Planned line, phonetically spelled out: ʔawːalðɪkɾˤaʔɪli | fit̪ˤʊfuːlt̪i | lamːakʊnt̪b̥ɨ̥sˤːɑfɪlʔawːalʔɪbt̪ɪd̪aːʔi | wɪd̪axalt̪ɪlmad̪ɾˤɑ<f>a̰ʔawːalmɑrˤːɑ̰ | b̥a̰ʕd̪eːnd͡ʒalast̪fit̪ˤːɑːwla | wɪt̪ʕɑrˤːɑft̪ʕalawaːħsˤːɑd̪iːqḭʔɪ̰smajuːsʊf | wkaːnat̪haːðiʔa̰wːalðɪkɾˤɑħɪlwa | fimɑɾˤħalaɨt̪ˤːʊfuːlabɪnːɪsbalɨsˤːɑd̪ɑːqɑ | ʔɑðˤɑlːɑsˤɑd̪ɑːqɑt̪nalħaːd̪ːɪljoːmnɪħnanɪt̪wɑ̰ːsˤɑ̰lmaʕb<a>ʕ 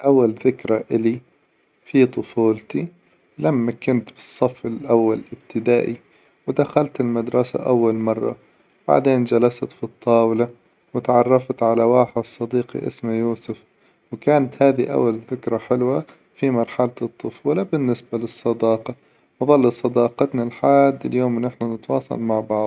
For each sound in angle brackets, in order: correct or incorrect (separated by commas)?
incorrect, incorrect